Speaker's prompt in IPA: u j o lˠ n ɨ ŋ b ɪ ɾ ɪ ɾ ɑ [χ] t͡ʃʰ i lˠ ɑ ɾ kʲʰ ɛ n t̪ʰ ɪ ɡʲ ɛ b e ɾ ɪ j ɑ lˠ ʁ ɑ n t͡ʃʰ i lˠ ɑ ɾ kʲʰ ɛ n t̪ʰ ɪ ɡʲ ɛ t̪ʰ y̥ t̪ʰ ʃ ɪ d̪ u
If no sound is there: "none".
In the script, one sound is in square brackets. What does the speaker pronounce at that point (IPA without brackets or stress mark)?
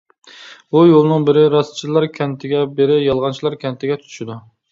s